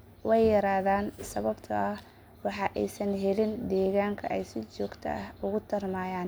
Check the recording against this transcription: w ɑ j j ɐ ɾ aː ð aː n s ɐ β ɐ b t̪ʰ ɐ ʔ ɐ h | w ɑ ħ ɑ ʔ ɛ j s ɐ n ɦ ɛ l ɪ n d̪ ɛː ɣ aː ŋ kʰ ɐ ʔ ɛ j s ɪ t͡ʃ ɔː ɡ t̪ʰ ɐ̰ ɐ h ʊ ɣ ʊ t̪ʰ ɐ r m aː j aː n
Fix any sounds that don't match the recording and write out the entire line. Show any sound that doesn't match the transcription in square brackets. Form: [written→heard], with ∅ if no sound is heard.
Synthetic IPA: w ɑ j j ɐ ɾ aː ð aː n s ɐ β ɐ b t̪ʰ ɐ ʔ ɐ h | w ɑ ħ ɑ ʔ ɛ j s ɐ n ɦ ɛ l ɪ n d̪ ɛː ɣ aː ŋ kʰ ɐ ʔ ɛ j s ɪ t͡ʃ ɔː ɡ t̪ʰ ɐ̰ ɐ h ʊ ɣ ʊ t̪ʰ ɐ r m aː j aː n